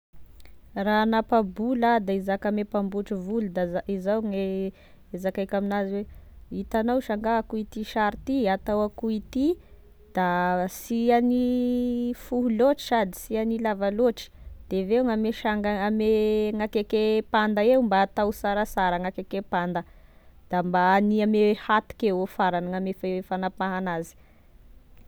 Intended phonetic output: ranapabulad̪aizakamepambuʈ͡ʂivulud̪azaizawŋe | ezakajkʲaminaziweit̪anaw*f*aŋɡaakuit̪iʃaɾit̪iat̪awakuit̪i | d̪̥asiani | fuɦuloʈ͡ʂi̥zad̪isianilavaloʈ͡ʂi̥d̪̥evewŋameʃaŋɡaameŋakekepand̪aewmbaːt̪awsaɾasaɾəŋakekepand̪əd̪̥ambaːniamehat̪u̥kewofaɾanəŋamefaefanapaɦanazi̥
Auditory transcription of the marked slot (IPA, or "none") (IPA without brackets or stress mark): ʃ